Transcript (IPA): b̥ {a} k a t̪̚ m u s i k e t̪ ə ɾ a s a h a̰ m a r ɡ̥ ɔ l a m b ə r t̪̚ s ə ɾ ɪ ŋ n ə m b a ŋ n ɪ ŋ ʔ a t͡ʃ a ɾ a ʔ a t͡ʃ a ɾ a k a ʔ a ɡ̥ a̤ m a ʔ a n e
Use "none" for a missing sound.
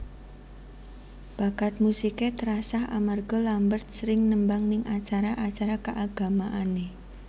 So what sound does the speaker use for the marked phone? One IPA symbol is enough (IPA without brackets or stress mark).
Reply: a